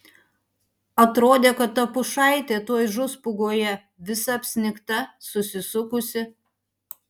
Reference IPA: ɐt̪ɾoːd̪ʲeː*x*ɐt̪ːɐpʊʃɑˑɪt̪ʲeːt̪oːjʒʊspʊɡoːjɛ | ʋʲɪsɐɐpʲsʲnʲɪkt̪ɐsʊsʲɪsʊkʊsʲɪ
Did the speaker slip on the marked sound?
yes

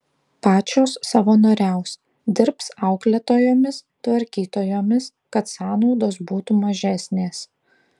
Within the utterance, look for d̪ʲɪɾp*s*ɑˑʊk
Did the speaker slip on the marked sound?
no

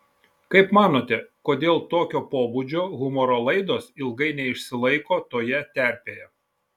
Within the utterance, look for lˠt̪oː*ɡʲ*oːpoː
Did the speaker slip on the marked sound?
yes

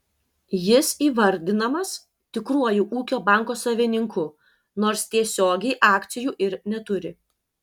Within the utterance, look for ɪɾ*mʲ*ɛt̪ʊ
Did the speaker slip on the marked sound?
yes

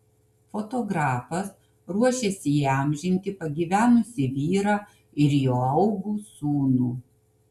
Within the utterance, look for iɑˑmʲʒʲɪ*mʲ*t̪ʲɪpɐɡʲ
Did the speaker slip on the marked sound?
yes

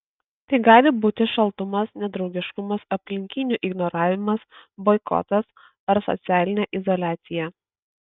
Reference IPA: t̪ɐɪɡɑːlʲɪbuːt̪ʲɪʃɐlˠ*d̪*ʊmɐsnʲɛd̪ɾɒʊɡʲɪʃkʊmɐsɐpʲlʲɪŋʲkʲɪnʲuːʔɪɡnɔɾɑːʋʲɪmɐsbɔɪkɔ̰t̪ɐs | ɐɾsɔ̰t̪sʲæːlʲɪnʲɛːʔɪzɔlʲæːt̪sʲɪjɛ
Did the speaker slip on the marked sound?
yes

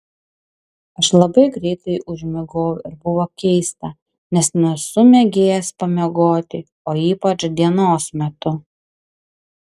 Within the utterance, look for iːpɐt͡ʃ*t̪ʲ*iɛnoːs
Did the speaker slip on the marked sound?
yes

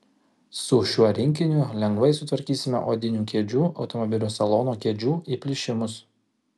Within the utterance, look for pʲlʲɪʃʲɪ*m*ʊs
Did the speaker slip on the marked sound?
no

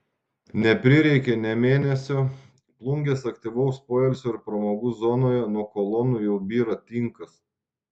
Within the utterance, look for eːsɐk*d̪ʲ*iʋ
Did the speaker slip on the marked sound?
yes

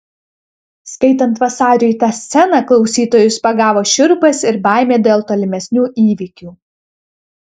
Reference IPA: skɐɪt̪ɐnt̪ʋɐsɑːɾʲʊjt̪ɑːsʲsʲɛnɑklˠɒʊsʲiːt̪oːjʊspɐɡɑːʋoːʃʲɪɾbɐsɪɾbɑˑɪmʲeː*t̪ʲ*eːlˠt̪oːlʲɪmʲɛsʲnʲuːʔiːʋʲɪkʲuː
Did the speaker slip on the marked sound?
yes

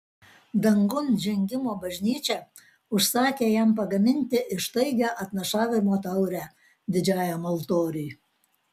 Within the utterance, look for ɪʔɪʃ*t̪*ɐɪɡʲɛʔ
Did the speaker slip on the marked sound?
no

